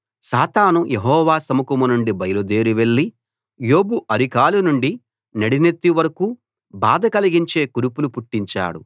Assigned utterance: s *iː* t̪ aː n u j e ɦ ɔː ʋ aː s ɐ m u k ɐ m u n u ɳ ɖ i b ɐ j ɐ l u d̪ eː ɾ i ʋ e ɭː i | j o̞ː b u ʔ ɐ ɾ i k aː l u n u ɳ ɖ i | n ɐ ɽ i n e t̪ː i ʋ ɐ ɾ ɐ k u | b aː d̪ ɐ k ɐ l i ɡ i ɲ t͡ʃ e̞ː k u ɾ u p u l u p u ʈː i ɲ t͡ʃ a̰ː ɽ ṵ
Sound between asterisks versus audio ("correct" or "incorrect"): incorrect